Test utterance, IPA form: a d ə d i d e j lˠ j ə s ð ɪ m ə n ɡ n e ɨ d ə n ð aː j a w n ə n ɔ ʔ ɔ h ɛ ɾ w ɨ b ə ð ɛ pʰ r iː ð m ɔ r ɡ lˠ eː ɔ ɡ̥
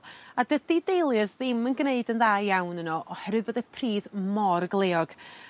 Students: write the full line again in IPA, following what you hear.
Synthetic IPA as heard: a d ə d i d e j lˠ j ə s ð ɪ m ə n ɡ n e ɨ d ə n ð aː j a w n ə n ɔ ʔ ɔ h ɛ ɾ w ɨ b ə ð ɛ pʰ r iː ð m ɔ r ɡ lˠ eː ɔ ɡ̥

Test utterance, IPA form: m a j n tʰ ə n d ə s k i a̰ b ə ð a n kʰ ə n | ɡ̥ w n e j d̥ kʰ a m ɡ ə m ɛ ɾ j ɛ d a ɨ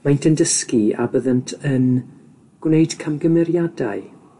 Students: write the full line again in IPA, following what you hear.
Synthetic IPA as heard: m a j n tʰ ə n d ə s k i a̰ b ə ð ə n tʰ ə n | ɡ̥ w n e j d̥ kʰ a m ɡ ə m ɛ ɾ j a d a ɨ

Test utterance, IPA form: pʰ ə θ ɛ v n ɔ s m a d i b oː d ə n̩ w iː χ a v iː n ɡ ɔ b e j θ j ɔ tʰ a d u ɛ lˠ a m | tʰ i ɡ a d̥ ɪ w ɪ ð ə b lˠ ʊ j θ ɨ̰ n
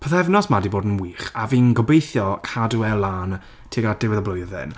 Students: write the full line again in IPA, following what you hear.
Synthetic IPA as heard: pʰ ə θ ɛ v n ɔ s m a d i b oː d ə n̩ w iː χ a v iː n ɡ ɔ b e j θ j ɔ kʰ a d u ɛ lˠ a n | tʰ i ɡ a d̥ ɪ w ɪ ð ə b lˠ ʊ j ð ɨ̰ n

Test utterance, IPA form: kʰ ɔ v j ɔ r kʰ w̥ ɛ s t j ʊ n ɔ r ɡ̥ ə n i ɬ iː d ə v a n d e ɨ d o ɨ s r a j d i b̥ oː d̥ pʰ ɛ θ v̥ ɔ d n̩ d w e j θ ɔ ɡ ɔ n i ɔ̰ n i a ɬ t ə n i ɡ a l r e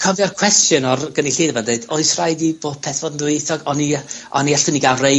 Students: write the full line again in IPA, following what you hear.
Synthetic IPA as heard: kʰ ɔ v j ɔ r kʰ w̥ ɛ s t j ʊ n ɔ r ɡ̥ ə n i ɬ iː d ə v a n d e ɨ d o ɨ s r a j d i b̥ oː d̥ pʰ ɛ θ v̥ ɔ d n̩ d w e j θ ɔ ɡ ɔ n i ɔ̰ n i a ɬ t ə n i ɡ a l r e

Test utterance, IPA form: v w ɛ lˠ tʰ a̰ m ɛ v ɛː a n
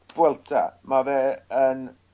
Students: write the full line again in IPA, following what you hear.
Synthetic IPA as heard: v w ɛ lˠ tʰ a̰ m a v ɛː ə n

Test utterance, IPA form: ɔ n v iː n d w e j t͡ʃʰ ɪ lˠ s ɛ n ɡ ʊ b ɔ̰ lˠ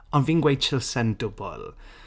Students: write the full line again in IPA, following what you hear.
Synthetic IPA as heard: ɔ n v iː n ɡ w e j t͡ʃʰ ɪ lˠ s ɛ n d ʊ b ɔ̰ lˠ

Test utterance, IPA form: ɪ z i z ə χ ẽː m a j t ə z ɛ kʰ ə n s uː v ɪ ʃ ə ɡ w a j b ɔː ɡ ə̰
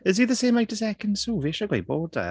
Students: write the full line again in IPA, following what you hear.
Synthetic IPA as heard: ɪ z i ð ə s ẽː m a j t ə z ɛ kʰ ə n s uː v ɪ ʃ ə ɡ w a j b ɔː d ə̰

